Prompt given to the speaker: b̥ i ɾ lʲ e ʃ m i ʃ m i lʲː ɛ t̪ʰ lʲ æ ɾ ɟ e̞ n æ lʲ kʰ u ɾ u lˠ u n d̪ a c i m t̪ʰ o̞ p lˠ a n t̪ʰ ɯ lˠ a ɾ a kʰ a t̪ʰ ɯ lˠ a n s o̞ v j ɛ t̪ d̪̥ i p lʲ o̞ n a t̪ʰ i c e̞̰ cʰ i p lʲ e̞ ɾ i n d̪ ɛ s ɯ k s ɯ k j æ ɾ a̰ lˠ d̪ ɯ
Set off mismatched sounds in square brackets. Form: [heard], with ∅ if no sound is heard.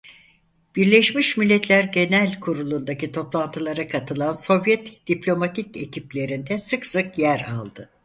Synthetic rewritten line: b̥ i ɾ lʲ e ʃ m i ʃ m i lʲː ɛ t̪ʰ lʲ æ ɾ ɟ e̞ n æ lʲ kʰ u ɾ u lˠ u n d̪ a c i [∅] t̪ʰ o̞ p lˠ a n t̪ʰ ɯ lˠ a ɾ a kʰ a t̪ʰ ɯ lˠ a n s o̞ v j ɛ t̪ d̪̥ i p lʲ o̞ [m] a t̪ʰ i c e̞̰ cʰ i p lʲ e̞ ɾ i n d̪ ɛ s ɯ k s ɯ k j æ ɾ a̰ lˠ d̪ ɯ

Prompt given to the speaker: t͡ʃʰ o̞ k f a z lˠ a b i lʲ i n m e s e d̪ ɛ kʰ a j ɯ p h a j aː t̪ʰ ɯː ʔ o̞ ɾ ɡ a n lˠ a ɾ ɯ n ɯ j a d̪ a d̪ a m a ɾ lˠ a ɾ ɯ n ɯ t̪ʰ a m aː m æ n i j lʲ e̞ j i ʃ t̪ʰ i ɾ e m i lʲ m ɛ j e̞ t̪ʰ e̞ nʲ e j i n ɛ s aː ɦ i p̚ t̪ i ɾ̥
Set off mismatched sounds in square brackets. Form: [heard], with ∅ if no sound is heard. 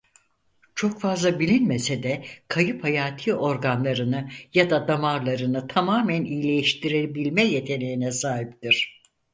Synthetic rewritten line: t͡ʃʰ o̞ k f a z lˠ a b i lʲ i n m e s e d̪ ɛ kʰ a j ɯ p h a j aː t̪ʰ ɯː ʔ o̞ ɾ ɡ a n lˠ a ɾ ɯ n ɯ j a d̪ a d̪ a m a ɾ lˠ a ɾ ɯ n ɯ t̪ʰ a m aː m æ n i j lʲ e̞ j i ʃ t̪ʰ i ɾ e [b] i lʲ m ɛ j e̞ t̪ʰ e̞ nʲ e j i n ɛ s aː ɦ i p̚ t̪ i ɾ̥

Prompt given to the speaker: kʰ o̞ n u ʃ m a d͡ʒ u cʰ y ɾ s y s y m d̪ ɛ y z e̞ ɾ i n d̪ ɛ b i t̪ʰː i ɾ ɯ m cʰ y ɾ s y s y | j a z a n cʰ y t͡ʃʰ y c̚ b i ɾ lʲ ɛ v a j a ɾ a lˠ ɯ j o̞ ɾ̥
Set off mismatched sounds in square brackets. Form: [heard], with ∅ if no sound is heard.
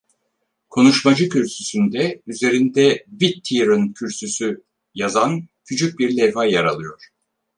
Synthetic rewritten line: kʰ o̞ n u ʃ m a d͡ʒ [ɯ] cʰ y ɾ s y s y [n] d̪ ɛ y z e̞ ɾ i n d̪ ɛ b i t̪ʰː i ɾ ɯ [n] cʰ y ɾ s y s y | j a z a n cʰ y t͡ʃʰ y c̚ b i ɾ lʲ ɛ v a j a ɾ a lˠ ɯ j o̞ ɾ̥

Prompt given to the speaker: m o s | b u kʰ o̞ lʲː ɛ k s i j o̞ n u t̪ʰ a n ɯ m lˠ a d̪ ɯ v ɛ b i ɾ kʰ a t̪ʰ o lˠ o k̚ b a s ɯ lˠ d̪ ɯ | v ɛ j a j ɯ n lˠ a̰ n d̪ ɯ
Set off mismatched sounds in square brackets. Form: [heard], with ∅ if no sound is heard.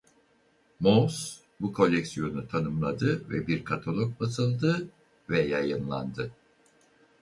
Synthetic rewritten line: m o s | b u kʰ o̞ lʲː ɛ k s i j o̞ n u t̪ʰ a n ɯ m lˠ a d̪ ɯ v ɛ b i ɾ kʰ a t̪ʰ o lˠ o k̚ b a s ɯ lˠ d̪ ɯ | v ɛ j a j ɯ n lˠ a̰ n d̪ ɯ

